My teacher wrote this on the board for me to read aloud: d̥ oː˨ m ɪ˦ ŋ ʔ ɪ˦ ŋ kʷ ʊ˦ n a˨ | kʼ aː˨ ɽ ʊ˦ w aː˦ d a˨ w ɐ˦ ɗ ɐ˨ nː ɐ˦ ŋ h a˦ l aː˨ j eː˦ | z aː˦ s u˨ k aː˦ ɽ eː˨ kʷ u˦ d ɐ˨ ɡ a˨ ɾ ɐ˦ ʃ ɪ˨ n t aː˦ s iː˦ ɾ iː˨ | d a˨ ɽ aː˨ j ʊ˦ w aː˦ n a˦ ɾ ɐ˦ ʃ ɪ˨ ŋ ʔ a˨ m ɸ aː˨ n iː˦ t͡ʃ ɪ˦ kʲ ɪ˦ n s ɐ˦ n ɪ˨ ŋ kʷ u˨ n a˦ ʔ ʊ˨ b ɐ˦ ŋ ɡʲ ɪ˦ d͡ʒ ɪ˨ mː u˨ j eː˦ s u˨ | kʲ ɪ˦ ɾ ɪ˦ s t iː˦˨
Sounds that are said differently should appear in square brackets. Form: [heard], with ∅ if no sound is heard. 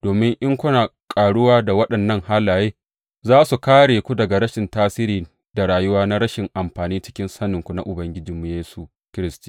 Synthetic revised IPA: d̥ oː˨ m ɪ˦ ŋ ʔ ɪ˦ ŋ kʷ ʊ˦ n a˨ | kʼ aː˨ ɽ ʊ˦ w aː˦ d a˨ w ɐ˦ ɗ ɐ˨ nː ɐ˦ ŋ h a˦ l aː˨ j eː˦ | z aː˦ s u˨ k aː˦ ɽ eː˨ kʷ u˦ d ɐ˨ ɡ a˨ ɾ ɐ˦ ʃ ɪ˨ n t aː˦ s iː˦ ɾ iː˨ | d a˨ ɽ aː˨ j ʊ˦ w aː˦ n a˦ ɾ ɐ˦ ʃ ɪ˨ ŋ ʔ a˨ m ɸ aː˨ n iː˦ t͡ʃ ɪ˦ kʲ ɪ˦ n s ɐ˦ n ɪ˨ ŋ kʷ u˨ n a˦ ʔ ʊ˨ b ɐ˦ ŋ ɡʲ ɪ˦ d͡ʒ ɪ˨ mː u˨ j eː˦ s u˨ | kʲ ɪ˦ ɾ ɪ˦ s t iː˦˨

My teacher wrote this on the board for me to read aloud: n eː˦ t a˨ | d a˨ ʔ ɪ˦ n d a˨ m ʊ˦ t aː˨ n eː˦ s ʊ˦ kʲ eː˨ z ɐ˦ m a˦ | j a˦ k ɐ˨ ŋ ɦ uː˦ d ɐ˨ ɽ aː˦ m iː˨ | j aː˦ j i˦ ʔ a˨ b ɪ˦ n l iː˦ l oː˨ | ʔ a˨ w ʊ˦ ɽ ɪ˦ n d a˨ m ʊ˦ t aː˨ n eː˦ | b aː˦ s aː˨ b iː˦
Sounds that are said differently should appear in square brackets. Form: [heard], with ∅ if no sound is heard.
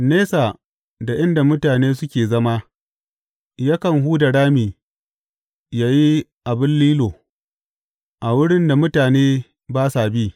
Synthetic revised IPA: n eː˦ [s] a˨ | d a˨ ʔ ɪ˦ n d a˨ m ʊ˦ t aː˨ n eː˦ s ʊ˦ kʲ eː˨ z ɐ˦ m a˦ | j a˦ k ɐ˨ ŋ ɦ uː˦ d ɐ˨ ɽ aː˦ m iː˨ | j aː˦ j i˦ ʔ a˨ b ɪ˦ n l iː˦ l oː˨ | ʔ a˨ w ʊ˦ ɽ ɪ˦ n d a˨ m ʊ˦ t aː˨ n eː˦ | b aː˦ s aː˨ b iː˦

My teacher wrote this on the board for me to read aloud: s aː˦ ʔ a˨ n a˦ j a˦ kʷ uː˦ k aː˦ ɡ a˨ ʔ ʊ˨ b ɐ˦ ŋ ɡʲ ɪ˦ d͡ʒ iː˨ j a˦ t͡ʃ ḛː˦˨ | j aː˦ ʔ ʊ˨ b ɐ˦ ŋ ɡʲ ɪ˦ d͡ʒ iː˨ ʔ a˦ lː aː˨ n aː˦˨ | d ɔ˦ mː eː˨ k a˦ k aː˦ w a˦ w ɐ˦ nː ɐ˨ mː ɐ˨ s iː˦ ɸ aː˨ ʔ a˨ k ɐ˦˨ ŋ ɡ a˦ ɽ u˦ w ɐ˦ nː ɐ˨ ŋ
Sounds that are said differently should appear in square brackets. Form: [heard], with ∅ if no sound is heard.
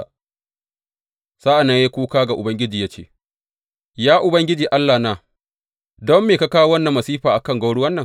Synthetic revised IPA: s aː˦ ʔ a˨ n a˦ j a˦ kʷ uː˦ k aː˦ ɡ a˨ ʔ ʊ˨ b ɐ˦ ŋ ɡʲ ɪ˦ d͡ʒ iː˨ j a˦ t͡ʃ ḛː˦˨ | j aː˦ ʔ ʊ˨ b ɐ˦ ŋ ɡʲ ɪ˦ d͡ʒ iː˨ ʔ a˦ lː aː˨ n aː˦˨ | d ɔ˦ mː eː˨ k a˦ k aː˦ w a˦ w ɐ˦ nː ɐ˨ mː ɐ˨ s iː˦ ɸ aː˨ ʔ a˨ k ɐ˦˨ ŋ ɡ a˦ ɽ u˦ w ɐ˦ nː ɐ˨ ŋ

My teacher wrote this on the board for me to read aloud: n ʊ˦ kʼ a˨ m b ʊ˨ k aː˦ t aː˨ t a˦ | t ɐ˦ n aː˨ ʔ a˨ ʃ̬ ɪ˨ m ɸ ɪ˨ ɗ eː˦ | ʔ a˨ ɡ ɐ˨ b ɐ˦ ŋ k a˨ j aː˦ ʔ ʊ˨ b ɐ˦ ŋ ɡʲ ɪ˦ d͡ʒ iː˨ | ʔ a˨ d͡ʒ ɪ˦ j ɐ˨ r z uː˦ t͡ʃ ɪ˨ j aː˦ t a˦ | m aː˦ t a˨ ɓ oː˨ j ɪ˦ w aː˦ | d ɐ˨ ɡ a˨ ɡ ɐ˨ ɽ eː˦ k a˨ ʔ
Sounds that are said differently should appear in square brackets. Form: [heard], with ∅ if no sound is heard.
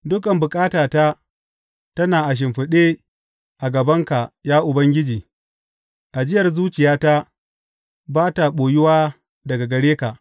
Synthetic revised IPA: [d] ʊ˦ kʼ [ɐ˨] m b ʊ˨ [kʼ] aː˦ t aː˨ t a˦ | t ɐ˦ n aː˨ ʔ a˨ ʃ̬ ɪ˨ m ɸ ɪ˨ ɗ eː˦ | ʔ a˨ ɡ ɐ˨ b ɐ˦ ŋ k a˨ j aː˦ ʔ ʊ˨ b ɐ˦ ŋ ɡʲ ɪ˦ d͡ʒ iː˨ | ʔ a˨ d͡ʒ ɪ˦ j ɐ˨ r z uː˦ t͡ʃ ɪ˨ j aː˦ t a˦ | [b] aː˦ t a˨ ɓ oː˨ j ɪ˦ w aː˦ | d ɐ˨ ɡ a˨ ɡ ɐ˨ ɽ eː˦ k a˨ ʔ

